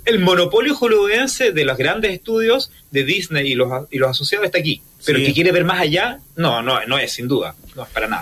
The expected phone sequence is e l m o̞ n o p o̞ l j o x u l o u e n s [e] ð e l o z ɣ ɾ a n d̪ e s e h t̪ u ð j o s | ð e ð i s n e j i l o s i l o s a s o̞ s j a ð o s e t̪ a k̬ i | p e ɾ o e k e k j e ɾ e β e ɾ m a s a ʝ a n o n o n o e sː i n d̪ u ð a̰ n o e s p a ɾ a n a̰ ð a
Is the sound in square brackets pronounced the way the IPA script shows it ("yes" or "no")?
yes